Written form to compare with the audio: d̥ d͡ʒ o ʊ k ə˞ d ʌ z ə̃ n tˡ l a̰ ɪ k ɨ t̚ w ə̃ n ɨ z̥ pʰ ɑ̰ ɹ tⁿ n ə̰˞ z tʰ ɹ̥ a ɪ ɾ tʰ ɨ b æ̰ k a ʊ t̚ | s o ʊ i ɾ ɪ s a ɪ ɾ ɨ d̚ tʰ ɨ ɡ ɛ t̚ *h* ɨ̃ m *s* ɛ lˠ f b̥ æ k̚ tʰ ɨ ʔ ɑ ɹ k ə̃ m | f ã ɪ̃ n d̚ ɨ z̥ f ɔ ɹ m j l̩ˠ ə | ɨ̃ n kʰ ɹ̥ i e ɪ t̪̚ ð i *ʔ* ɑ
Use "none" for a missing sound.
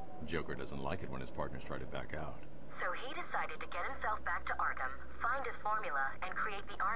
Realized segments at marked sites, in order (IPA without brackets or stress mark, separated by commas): h, s, ʔ